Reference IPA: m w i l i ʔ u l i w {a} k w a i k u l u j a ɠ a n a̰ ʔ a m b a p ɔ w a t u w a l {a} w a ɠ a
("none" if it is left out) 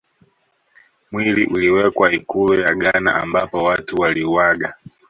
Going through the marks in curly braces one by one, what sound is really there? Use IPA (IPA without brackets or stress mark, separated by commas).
ɛ, i